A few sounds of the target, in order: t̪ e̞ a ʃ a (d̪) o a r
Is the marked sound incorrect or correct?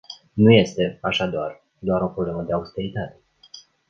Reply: correct